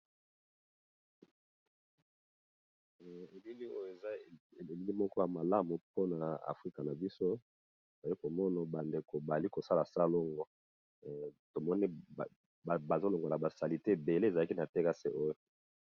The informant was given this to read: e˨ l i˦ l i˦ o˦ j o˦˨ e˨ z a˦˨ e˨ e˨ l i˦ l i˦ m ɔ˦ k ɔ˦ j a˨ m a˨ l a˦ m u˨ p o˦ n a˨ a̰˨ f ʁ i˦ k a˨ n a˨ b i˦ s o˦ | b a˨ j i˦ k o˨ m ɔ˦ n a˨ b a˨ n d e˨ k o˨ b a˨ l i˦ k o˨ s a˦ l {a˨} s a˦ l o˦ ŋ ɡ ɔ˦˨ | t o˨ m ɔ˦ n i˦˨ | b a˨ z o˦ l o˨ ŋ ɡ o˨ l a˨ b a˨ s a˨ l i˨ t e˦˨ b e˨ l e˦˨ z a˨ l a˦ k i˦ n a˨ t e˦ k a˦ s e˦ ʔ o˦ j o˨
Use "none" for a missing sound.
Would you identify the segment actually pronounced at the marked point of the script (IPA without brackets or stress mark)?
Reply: a˨